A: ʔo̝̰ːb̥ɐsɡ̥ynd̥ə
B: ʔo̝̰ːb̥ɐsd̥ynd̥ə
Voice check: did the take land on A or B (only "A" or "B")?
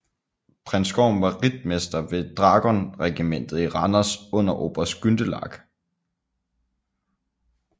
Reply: A